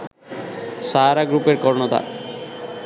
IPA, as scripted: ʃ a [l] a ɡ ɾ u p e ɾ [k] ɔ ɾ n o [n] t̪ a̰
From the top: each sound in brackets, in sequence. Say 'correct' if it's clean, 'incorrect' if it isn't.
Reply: incorrect, correct, incorrect

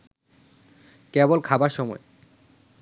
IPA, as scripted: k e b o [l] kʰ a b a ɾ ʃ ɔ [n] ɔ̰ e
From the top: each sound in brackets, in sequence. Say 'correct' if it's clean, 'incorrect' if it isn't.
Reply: correct, incorrect

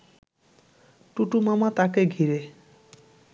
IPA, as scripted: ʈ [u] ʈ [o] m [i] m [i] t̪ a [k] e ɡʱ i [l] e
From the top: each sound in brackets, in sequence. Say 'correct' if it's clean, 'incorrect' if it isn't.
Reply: correct, incorrect, incorrect, incorrect, correct, incorrect

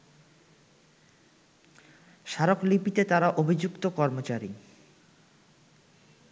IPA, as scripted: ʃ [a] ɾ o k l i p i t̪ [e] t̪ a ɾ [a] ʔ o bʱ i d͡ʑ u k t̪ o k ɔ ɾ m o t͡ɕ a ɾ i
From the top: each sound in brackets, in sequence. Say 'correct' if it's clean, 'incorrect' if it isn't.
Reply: correct, correct, correct

